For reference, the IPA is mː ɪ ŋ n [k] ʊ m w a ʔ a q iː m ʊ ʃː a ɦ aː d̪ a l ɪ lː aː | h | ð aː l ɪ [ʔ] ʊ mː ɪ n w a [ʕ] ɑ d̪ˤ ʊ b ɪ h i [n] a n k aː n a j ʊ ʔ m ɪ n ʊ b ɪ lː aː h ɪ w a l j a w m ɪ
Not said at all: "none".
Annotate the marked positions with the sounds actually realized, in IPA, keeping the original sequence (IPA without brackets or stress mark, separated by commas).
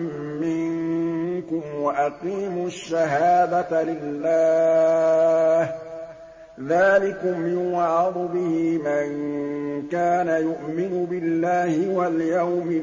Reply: k, k, ʕ, m